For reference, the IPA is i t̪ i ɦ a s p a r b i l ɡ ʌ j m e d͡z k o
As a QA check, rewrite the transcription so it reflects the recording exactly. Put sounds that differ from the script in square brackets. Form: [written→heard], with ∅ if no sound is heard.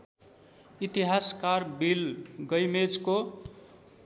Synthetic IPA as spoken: i t̪ i ɦ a s [p→k] a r b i l ɡ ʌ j m e d͡z k o